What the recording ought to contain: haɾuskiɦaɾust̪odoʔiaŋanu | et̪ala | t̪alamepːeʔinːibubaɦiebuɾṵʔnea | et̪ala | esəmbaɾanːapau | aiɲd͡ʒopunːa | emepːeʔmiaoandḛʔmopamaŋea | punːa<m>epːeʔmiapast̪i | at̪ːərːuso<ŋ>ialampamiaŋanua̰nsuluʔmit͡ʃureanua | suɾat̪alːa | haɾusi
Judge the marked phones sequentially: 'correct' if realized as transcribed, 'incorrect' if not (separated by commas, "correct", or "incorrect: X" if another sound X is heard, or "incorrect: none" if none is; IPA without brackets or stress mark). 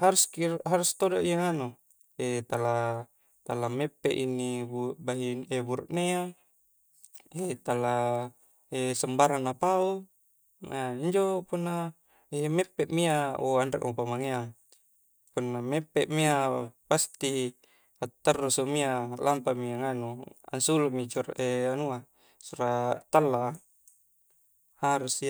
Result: correct, incorrect: m